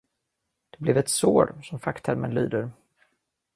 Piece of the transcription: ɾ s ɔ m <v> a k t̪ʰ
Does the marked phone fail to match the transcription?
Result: yes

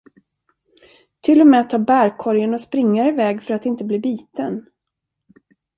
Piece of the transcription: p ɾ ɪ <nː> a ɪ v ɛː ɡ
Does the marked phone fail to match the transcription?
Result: yes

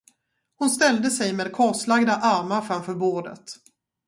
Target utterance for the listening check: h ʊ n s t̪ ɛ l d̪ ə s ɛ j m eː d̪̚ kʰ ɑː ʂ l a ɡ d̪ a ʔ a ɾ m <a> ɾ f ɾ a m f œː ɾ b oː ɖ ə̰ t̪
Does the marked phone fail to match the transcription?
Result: no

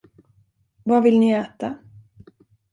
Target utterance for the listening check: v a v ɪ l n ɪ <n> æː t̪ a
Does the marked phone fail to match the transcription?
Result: yes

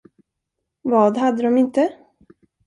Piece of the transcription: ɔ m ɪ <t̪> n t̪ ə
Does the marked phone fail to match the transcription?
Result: yes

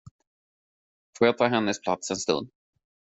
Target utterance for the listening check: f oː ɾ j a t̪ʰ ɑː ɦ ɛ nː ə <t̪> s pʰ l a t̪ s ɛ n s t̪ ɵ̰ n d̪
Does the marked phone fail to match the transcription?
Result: yes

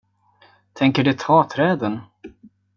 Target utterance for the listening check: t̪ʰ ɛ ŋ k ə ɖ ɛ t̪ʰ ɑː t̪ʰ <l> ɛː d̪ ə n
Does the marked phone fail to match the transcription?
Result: yes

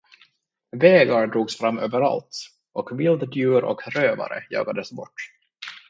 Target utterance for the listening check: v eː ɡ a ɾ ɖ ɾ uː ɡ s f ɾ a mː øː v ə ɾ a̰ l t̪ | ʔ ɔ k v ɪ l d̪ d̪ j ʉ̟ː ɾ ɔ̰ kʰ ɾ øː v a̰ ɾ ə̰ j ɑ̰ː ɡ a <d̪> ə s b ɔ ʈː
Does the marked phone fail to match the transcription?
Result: no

